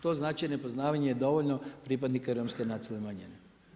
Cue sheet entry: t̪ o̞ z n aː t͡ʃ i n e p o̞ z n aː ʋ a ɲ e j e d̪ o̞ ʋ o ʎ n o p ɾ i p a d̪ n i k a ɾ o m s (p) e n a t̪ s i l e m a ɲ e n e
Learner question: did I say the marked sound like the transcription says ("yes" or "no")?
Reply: no